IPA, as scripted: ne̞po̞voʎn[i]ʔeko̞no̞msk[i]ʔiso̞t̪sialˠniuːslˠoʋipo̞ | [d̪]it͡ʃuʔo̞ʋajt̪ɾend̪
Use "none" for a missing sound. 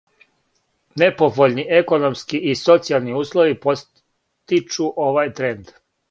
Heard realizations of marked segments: i, i, t̪

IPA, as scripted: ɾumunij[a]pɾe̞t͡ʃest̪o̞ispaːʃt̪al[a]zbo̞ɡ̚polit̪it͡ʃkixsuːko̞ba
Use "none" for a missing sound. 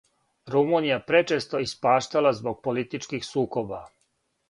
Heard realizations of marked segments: a, a

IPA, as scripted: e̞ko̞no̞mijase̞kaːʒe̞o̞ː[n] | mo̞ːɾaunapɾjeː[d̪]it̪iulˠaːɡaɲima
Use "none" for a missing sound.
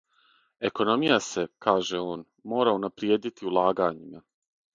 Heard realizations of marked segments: n, d̪

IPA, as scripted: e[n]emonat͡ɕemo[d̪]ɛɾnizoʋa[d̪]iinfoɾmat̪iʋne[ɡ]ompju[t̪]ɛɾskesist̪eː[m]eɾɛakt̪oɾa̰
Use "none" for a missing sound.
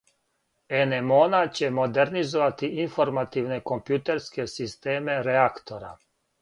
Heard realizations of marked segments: n, d̪, t̪, k, t̪, m

